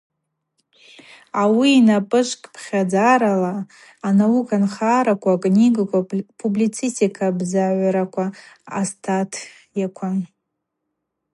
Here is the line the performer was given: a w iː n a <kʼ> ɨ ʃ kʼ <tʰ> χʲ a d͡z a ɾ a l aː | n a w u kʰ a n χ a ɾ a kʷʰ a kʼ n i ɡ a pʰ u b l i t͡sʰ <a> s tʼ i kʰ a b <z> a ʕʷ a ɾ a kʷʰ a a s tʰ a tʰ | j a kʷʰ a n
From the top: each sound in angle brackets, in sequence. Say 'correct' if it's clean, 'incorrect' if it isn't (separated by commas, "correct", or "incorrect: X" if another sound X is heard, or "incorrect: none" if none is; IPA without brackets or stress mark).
incorrect: pʼ, incorrect: pʰ, incorrect: i, correct